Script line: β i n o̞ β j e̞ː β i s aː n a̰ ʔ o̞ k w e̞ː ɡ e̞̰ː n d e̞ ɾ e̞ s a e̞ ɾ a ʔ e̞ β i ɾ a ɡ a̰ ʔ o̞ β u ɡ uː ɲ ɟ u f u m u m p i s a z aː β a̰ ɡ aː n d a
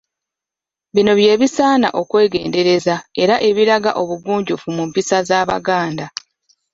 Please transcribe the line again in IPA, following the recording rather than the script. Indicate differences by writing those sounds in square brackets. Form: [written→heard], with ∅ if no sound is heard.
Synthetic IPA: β i n o̞ β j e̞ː β i s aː n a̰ ʔ o̞ k w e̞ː ɡ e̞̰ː n d e̞ ɾ e̞ [s→z] a e̞ ɾ a ʔ e̞ β i ɾ a ɡ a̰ ʔ o̞ β u ɡ uː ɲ ɟ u f u m u m p i s a z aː β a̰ ɡ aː n d a